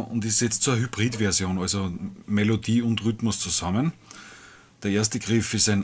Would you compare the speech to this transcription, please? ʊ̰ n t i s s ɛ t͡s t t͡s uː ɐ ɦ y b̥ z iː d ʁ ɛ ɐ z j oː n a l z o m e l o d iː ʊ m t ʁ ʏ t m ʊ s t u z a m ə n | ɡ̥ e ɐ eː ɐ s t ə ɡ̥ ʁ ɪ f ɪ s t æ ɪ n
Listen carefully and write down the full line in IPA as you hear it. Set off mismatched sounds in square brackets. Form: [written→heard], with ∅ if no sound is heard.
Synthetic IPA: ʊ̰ n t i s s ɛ t͡s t t͡s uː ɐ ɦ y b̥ [z→ʁ] iː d [ʁ→v] ɛ ɐ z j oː n a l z o m e l o d iː ʊ [m→n] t ʁ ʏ t m ʊ s [t→t͡s] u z a m ə n | [ɡ̥→d̥] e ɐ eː ɐ s t ə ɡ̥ ʁ ɪ f ɪ s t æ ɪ n